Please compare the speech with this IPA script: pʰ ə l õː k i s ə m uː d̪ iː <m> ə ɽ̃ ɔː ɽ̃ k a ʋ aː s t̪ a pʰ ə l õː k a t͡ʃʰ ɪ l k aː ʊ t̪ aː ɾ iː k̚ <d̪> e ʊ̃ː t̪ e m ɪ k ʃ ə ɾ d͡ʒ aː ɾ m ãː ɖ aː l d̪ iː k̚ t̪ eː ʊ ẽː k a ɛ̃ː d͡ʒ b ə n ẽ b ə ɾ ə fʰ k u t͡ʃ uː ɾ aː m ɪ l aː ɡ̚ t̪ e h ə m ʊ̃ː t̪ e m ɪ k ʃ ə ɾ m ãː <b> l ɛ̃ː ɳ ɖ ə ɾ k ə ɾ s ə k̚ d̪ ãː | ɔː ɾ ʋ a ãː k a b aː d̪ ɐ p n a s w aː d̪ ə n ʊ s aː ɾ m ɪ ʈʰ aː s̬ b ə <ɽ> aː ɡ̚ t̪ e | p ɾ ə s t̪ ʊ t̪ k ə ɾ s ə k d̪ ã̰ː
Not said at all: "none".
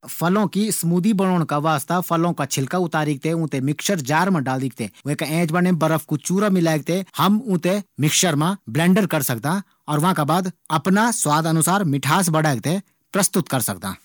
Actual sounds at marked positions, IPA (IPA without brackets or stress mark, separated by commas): b, t̪, b, ɽ